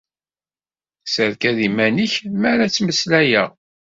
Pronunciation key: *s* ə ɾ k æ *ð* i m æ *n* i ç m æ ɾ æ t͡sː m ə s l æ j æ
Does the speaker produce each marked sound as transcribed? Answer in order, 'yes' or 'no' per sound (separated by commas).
yes, yes, yes